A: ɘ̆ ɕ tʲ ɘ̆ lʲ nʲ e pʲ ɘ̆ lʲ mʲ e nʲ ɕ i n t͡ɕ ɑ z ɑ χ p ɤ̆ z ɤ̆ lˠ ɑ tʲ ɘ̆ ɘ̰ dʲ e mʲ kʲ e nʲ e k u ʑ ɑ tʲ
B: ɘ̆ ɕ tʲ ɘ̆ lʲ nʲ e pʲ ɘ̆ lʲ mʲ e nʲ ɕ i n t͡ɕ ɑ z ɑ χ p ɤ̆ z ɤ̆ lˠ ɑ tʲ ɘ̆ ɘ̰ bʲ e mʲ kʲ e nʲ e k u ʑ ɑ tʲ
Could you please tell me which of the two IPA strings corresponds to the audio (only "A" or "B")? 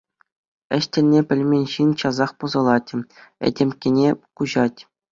A